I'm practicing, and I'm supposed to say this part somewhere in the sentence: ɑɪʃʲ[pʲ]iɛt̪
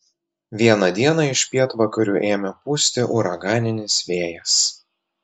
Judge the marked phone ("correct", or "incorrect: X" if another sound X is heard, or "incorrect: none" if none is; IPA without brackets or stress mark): correct